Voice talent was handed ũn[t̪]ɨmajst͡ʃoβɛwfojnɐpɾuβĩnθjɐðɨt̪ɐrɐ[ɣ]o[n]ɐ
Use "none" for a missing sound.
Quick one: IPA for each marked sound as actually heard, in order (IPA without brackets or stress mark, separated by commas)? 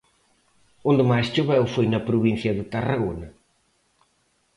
d̪, ɣ, n